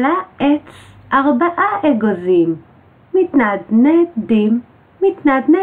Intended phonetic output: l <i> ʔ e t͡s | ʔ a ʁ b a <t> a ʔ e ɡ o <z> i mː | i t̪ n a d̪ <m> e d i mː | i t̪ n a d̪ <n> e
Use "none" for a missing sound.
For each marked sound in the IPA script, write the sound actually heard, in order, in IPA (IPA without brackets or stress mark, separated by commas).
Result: a, ʔ, z, n, n